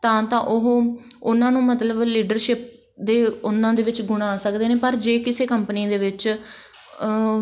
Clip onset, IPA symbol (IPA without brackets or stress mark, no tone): t̪